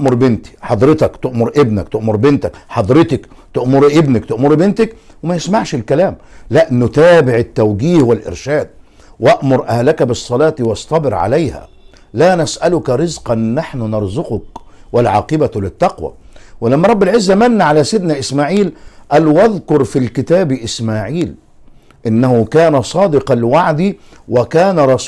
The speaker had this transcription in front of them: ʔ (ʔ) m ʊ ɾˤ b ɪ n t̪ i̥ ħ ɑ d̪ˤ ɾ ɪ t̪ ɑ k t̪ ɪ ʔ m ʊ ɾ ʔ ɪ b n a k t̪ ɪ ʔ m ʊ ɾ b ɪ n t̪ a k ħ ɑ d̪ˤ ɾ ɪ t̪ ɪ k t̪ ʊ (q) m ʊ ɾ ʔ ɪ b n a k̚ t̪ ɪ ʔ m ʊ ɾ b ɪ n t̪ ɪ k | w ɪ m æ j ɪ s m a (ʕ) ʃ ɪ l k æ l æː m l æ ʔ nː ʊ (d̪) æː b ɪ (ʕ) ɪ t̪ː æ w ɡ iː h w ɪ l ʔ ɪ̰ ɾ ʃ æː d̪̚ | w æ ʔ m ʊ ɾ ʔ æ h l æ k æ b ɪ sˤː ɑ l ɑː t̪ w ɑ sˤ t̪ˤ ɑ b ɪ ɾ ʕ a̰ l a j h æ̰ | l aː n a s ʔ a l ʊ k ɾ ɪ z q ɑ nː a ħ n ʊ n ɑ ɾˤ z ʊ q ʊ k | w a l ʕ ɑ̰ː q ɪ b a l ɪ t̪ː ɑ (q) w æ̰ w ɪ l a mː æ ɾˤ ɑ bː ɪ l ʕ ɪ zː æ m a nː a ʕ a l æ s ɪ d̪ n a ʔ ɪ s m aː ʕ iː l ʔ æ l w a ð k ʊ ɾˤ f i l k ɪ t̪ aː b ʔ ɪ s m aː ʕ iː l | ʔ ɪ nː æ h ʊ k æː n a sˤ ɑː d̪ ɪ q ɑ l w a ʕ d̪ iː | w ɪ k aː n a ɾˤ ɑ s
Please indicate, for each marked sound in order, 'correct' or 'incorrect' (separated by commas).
correct, incorrect, correct, incorrect, correct, correct